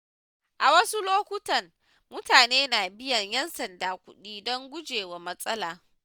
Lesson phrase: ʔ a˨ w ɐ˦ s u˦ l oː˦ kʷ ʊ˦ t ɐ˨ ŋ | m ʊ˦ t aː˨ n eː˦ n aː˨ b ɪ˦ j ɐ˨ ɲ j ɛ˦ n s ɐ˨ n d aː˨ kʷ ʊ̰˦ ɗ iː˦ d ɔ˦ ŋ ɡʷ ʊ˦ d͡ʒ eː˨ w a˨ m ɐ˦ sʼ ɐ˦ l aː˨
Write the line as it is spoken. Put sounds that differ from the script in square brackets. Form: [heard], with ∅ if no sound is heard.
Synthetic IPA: ʔ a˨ w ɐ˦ s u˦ l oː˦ kʷ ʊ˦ t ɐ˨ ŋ | m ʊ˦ t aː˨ n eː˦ n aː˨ b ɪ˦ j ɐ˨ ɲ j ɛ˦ n s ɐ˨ n d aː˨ kʷ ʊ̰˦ ɗ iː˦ d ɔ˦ ŋ ɡʷ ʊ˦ d͡ʒ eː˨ w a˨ m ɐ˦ sʼ ɐ˦ l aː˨